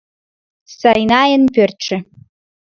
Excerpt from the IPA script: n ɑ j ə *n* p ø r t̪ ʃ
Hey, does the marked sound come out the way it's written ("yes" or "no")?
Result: yes